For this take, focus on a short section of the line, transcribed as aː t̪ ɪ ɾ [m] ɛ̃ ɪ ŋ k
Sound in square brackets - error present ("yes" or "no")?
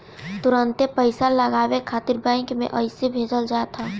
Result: yes